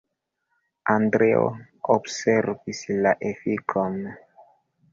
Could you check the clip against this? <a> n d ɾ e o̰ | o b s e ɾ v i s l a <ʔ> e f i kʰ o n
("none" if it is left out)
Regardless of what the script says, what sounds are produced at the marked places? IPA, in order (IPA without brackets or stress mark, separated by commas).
a, ʔ